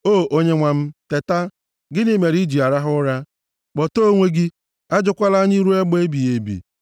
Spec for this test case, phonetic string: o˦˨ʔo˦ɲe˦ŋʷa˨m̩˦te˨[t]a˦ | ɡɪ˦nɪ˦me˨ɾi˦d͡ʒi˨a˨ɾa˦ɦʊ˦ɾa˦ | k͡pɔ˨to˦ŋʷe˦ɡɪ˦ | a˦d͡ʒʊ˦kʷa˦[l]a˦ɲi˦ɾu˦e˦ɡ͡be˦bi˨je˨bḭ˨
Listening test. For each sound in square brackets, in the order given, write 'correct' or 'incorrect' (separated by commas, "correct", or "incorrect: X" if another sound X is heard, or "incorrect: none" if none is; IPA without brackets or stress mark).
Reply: correct, correct